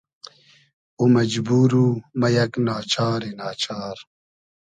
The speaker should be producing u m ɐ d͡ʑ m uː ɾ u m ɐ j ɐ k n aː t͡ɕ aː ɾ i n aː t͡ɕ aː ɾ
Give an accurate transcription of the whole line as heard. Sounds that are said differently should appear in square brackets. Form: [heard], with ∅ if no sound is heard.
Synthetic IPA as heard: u m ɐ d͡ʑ [b] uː ɾ u m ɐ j ɐ k n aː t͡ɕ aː ɾ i n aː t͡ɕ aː ɾ